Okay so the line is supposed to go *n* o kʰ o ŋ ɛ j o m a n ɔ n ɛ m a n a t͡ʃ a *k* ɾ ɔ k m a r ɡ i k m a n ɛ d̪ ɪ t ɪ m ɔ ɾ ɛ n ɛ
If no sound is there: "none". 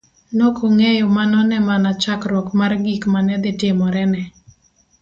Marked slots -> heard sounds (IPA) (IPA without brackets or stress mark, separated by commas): n, k